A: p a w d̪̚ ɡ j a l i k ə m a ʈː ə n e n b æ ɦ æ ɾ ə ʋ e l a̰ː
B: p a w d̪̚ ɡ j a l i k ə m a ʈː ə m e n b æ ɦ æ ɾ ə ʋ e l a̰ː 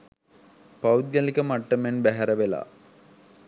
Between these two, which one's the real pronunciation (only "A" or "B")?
B